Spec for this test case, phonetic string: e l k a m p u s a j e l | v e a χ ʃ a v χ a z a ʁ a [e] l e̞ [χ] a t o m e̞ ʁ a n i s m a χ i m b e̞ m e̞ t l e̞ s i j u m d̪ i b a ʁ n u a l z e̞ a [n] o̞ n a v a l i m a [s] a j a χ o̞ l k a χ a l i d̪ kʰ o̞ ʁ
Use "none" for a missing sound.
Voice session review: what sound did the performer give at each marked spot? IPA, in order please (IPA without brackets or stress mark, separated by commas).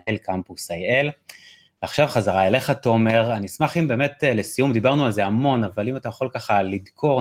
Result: e, χ, m, t